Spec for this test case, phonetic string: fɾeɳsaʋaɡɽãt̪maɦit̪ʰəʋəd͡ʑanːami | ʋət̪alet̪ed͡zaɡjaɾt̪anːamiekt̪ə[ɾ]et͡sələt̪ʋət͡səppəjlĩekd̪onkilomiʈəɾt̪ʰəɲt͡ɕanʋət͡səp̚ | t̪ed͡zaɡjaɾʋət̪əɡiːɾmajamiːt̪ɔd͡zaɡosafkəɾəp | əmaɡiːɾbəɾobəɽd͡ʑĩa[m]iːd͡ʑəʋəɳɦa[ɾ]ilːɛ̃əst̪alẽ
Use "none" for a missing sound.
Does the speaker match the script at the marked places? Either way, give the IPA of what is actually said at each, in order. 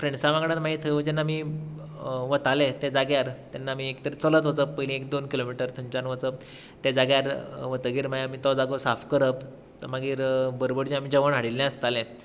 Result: ɾ, m, ɽ

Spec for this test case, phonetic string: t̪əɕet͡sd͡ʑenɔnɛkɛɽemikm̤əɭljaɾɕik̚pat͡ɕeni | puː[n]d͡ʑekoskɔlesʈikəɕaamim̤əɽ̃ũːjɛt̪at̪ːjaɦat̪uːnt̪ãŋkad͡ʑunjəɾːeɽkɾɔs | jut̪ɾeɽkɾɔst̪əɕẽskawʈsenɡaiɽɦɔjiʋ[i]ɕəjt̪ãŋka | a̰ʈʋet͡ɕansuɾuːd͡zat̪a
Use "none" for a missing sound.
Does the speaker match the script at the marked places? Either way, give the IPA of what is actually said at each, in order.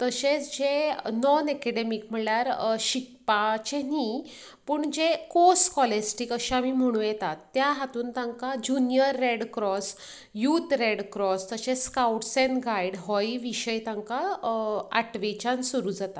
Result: ɳ, i

